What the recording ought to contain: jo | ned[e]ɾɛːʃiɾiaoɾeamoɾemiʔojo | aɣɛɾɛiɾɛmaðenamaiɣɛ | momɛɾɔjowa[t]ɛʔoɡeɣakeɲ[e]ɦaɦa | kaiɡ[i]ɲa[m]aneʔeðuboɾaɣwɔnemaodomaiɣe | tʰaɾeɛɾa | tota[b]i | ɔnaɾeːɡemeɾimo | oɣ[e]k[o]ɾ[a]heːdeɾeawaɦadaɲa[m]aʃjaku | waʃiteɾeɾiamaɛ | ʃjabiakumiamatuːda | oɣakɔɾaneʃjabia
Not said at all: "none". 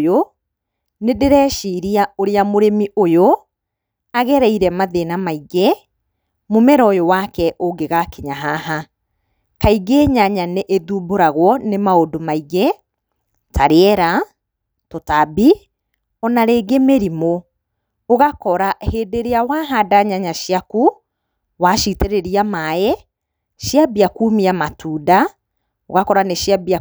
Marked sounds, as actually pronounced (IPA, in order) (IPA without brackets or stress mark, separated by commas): e, k, a, e, ɲ, b, a, ɔ, a, ɲ